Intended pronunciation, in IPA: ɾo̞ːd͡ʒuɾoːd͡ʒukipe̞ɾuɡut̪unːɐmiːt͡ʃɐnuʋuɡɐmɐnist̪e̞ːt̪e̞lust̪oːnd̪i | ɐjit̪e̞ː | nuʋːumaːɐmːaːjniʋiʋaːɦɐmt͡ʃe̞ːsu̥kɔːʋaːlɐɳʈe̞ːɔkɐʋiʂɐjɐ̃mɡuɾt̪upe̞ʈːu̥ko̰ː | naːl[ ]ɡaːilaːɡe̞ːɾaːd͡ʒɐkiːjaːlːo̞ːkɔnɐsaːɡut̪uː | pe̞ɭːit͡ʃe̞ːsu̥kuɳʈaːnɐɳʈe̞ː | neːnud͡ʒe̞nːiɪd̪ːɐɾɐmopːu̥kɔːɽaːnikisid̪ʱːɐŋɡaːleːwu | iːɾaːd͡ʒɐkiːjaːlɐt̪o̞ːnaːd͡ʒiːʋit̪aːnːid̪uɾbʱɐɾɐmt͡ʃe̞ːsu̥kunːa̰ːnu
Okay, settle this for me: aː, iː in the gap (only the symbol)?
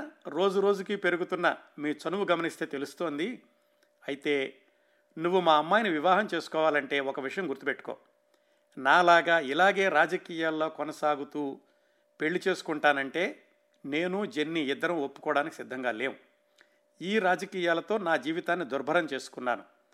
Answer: aː